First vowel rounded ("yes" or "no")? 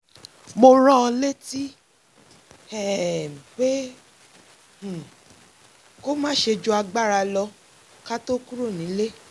yes